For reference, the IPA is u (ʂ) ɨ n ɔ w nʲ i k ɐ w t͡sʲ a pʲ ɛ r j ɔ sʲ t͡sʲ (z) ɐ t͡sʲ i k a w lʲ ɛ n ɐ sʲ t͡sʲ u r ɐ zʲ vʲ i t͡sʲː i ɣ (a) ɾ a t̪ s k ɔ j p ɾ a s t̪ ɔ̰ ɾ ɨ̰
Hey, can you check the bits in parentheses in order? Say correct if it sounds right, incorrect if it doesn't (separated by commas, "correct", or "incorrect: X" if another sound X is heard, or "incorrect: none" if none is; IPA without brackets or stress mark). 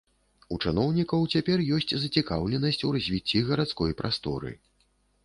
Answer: incorrect: t͡ʂ, correct, incorrect: ɐ